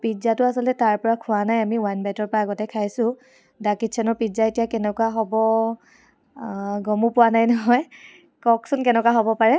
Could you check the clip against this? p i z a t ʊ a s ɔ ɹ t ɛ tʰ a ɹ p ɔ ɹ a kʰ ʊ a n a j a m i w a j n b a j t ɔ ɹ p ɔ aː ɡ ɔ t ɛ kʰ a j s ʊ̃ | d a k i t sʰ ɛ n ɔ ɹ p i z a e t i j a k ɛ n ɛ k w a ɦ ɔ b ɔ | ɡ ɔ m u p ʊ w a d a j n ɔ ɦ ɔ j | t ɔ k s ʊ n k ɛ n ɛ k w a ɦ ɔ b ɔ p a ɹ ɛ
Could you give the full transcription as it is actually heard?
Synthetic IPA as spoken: p i z a t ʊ a s ɔ l t ɛ t a ɹ p ɔ ɹ a kʰ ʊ a n a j a m i w a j n b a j t ɔ ɹ p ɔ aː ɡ ɔ t ɛ kʰ a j s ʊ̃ | d a k i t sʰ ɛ n ɔ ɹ p i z a e t i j a k ɛ n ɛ k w a ɦ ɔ b ɔ | ɡ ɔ m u p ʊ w a n a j n ɔ ɦ ɔ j | k ɔ k s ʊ n k ɛ n ɛ k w a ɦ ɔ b ɔ p a ɹ ɛ